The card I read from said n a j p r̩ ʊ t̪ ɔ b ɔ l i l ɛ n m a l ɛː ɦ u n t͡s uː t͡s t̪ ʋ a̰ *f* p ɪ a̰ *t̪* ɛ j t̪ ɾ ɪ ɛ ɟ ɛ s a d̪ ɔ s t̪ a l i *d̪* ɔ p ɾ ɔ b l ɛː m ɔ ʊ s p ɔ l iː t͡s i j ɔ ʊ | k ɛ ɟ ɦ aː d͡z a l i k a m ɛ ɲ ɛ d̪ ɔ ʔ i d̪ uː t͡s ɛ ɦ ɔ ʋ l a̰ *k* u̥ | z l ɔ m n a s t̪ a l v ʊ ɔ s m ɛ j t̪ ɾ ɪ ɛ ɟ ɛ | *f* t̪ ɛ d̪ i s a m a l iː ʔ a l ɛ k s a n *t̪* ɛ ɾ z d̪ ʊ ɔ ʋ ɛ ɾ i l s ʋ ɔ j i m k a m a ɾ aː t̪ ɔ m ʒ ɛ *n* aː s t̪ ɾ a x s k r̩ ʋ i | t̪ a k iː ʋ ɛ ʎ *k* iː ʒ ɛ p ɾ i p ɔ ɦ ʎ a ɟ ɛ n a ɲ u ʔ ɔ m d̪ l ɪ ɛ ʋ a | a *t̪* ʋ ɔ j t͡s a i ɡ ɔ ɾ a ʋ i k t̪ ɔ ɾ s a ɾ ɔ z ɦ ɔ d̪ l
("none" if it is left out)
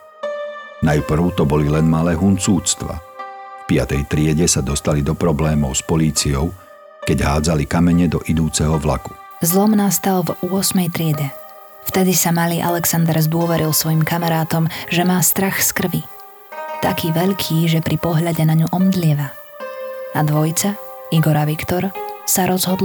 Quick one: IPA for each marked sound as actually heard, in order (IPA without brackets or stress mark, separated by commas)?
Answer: f, t̪, d̪, k, f, d̪, m, kʰ, d̪